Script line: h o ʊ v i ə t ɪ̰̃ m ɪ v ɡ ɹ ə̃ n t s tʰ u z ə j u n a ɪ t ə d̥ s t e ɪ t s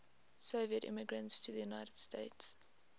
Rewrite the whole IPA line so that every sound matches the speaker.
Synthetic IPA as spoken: s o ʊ v i ə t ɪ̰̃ m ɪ ɡ ɹ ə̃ n t s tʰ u ð ə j u n a ɪ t ə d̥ s t e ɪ t s